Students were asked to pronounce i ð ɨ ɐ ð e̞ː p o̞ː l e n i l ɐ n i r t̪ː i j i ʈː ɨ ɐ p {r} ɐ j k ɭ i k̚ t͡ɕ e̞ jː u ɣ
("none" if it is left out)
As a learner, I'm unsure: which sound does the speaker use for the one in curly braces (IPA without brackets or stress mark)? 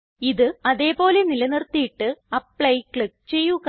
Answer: ɭ